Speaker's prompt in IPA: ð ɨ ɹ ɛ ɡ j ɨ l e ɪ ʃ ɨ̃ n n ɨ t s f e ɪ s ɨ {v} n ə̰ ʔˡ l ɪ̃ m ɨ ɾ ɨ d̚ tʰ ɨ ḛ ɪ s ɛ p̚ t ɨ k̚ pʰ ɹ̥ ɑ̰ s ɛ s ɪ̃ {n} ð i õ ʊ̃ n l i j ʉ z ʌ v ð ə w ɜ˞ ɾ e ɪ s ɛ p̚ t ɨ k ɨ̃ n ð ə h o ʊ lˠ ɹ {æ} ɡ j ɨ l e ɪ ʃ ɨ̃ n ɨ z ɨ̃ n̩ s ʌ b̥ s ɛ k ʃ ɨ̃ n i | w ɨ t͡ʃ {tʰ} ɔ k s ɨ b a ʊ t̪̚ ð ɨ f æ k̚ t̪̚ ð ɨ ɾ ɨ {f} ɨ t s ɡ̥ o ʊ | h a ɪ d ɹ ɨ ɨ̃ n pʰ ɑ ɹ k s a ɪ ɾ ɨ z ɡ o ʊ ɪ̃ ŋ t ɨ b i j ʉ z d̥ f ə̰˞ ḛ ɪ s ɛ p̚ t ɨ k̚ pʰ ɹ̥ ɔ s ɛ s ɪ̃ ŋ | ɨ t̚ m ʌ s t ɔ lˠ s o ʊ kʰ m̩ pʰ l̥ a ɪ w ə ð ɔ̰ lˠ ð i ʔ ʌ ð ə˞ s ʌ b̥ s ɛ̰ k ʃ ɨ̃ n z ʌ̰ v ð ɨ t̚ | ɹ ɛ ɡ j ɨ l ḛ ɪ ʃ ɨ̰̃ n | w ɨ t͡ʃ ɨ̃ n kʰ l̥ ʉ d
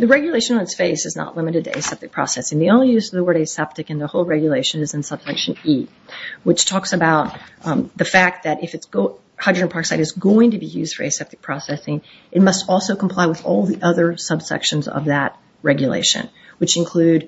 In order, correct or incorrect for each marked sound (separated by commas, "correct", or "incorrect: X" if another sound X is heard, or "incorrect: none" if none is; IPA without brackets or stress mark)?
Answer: incorrect: z, incorrect: ŋ, incorrect: ɛ, correct, correct